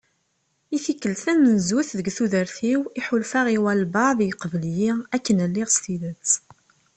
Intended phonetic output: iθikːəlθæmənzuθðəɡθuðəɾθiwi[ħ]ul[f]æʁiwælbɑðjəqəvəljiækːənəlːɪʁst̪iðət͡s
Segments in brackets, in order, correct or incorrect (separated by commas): correct, correct